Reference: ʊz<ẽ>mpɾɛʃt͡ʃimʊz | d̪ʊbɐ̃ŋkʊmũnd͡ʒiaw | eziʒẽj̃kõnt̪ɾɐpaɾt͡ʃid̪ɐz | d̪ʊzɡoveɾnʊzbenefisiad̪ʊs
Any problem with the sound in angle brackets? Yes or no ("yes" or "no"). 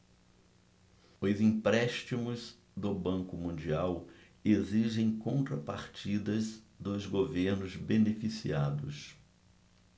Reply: yes